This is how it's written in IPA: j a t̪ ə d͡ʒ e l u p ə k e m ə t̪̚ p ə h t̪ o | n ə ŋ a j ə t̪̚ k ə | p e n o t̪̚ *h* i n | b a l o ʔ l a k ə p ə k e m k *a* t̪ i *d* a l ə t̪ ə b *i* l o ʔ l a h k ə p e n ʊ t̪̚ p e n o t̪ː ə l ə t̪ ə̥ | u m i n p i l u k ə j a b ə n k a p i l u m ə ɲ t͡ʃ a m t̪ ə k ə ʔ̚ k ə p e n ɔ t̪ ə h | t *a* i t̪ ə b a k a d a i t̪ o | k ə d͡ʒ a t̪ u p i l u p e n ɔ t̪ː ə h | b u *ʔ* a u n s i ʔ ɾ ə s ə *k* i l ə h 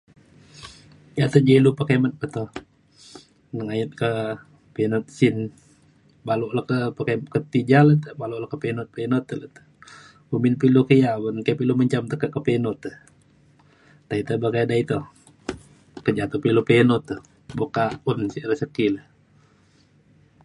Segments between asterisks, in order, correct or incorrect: incorrect: s, incorrect: ə, incorrect: d͡ʒ, incorrect: a, correct, incorrect: k, correct

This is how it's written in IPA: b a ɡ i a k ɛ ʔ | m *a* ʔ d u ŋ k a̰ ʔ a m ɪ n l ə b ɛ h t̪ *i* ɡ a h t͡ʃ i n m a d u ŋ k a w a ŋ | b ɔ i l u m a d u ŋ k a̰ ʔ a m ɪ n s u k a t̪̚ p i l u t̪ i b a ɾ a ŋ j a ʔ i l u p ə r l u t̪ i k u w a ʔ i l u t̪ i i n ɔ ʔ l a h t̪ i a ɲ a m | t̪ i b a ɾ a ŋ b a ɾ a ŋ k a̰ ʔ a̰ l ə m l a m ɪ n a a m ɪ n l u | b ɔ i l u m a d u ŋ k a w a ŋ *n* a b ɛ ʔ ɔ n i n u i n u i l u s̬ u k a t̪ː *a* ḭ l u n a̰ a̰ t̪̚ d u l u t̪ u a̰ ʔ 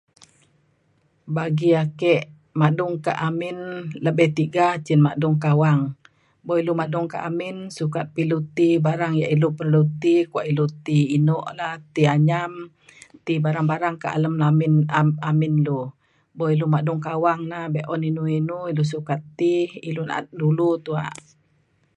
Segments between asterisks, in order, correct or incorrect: correct, correct, correct, incorrect: i

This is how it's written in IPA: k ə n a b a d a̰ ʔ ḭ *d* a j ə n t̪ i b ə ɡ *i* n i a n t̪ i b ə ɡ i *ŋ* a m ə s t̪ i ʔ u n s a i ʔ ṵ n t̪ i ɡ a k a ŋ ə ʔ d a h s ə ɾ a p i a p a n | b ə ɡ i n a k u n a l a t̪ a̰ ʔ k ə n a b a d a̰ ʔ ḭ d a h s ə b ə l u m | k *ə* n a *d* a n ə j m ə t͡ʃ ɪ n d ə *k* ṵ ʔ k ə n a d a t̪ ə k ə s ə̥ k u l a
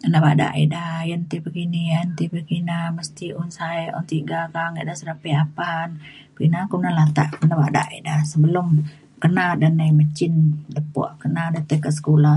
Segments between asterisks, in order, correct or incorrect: correct, correct, incorrect: n, correct, correct, incorrect: p

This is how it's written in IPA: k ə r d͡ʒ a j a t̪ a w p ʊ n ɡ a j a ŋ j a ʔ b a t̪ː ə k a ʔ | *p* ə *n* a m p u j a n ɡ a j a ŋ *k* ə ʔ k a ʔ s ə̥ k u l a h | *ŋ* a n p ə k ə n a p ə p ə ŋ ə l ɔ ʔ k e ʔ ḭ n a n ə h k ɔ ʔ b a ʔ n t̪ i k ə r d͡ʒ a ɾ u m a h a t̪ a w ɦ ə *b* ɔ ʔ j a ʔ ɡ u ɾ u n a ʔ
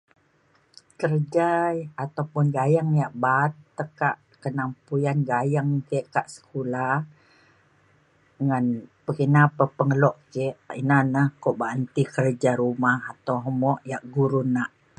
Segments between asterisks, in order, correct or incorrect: incorrect: k, correct, correct, correct, incorrect: m

